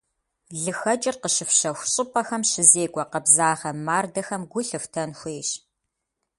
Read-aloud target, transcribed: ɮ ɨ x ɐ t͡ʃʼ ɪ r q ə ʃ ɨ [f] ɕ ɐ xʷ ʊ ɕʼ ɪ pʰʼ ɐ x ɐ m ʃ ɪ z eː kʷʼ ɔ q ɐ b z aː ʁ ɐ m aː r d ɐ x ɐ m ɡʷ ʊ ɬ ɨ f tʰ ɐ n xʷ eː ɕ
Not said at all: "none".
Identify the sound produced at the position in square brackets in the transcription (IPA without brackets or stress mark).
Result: f